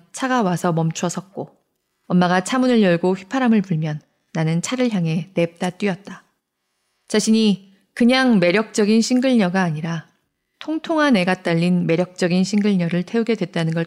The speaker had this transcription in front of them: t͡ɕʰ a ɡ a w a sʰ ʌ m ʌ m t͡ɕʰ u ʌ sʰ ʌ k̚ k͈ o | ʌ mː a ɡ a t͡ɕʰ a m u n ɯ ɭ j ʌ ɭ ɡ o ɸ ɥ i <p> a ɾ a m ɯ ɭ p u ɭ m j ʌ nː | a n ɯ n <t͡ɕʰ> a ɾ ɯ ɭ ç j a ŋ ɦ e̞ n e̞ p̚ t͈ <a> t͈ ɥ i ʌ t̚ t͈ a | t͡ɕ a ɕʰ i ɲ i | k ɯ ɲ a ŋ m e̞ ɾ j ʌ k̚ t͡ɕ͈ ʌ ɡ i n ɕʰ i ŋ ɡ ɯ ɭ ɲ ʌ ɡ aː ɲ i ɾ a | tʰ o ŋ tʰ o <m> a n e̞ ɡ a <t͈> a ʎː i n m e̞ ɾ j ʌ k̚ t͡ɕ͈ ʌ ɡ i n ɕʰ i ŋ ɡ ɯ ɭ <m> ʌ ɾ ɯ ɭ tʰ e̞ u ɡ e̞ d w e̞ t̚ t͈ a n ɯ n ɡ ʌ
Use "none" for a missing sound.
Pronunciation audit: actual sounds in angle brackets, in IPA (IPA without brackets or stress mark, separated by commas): pʰ, t͡ɕʰ, a, ŋ, t͈, ɲ